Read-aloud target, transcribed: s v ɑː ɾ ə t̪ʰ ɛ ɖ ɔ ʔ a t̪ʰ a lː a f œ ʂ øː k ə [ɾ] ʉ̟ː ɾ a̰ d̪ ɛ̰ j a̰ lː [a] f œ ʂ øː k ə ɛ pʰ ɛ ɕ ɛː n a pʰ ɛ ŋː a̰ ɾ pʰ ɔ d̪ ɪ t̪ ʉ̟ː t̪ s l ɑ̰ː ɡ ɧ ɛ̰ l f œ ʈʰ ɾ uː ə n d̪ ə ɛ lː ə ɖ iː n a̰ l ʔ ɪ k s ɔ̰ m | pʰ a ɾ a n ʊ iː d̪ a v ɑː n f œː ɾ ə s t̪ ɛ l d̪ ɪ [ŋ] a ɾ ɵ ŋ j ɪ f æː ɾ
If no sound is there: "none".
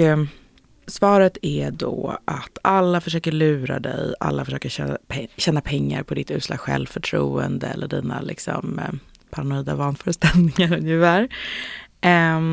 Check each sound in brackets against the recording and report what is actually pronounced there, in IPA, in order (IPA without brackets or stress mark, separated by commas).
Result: ɭ, a, ŋ